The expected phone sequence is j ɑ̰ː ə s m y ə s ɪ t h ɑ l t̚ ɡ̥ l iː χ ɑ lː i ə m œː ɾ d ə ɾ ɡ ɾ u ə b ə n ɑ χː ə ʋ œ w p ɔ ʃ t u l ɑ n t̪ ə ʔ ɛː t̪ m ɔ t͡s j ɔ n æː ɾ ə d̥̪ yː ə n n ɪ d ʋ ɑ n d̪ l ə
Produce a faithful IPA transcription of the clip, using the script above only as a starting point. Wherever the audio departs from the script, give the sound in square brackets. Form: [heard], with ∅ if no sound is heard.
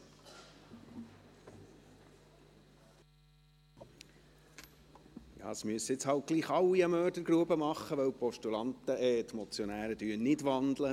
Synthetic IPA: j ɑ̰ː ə s m y ə s ɪ [t͡s] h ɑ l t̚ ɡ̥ l iː χ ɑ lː i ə m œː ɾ d ə ɾ ɡ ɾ u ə b ə [m] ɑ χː ə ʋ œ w p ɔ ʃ t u l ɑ n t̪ ə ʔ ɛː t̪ m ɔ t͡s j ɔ n æː ɾ ə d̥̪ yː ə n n ɪ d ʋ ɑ n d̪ l ə